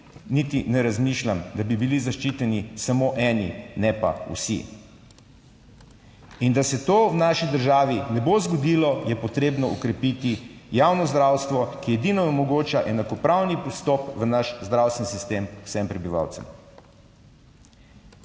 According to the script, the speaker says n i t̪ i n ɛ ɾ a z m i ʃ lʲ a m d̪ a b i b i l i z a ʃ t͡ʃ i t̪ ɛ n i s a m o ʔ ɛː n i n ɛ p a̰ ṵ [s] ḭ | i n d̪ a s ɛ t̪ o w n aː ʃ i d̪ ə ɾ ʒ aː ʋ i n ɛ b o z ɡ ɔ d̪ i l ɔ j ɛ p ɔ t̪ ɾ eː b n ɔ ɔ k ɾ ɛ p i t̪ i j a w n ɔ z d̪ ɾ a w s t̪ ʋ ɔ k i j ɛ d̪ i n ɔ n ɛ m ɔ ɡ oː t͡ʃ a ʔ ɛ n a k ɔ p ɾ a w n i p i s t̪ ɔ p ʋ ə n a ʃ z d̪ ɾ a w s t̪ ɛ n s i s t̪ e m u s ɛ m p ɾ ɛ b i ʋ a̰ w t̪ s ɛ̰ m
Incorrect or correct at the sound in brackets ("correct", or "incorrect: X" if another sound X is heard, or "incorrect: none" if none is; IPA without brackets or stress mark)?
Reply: correct